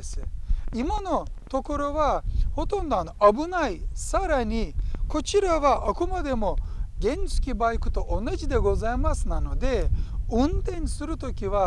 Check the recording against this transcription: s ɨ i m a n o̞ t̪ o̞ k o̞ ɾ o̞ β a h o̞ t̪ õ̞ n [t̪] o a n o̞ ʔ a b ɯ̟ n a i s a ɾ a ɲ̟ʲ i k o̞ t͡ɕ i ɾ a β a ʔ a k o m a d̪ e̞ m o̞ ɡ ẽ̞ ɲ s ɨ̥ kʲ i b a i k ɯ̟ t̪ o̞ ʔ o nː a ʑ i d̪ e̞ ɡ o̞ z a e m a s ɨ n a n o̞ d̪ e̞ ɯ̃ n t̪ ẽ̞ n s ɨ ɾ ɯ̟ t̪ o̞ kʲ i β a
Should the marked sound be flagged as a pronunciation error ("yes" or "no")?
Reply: yes